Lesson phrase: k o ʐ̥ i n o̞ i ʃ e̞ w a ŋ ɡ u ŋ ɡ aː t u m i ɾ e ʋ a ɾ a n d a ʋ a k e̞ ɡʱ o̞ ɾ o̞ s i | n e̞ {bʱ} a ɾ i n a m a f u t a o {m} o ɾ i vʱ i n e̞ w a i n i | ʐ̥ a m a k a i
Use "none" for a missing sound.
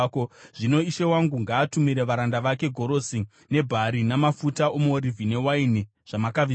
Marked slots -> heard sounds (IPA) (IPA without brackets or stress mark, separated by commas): bʱ, m